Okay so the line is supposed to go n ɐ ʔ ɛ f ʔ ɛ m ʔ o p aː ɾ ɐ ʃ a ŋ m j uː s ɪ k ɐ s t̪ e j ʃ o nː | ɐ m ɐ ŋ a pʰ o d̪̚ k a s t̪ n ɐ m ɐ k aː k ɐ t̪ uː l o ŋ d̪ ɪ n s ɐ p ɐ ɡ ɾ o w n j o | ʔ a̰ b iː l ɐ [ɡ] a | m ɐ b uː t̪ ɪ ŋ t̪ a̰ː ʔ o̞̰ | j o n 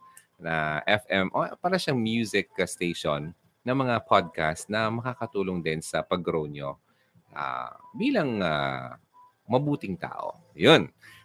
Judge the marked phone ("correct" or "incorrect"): incorrect